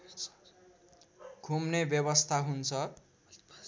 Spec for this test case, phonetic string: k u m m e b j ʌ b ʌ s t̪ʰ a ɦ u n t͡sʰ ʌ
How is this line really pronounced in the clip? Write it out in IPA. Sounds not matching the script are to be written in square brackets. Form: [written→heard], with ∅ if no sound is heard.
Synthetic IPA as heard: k u m [m→n] e b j ʌ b ʌ s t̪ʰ a ɦ u n t͡sʰ ʌ